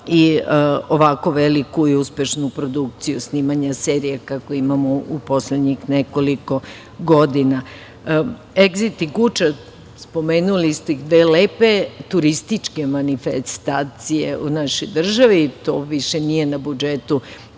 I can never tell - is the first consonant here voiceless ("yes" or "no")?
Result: no